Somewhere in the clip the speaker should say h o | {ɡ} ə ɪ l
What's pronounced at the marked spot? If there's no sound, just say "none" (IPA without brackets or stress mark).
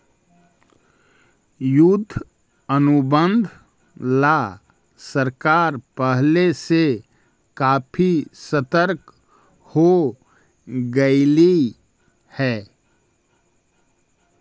ɡ